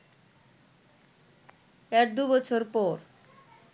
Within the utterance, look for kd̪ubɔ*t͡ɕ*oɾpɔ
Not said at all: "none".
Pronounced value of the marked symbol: t͡ɕʰ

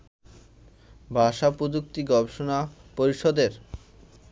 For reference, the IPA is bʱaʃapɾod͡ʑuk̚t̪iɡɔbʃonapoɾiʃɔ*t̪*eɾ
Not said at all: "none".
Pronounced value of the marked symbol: d̪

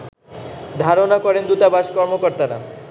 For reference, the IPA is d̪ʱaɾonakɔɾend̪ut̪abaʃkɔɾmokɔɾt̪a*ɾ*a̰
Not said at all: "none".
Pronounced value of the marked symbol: ɾ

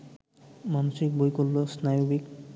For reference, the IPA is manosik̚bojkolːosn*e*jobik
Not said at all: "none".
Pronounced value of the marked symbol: a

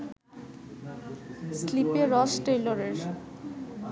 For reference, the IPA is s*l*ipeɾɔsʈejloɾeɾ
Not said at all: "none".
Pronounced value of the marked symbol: l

